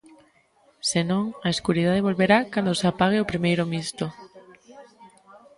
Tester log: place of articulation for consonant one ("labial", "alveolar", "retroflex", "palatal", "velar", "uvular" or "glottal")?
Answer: alveolar